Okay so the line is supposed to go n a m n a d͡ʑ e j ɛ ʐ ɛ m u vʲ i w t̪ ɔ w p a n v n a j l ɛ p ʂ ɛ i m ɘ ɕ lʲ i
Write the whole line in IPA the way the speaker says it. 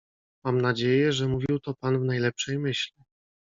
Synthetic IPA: m a m n a d͡ʑ e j ɛ ʐ ɛ m u vʲ i w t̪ ɔ p a n v n a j l ɛ p ʂ ɛ j m ɘ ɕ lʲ i